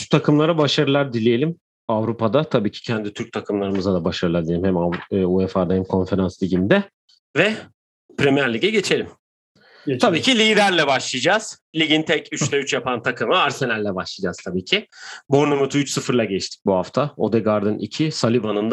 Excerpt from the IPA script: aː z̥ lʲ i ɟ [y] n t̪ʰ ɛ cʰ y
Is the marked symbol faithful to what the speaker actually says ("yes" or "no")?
no